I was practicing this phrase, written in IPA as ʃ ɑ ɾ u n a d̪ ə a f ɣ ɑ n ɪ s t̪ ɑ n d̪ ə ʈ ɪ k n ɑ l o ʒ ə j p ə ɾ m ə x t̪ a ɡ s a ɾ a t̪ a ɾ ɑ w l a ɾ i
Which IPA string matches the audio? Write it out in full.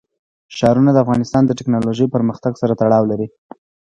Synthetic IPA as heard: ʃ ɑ ɾ u n a d̪ ə a f ɣ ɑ n ɪ s t̪ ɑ n d̪ ə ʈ ɪ k n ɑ l o ʒ ə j p ə ɾ m ə x t̪ a ɡ s a ɾ a t̪ a ɽ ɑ w l a ɾ i